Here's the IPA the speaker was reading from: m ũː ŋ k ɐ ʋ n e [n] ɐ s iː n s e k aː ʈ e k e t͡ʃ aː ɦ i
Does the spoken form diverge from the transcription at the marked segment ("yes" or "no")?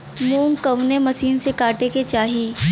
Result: yes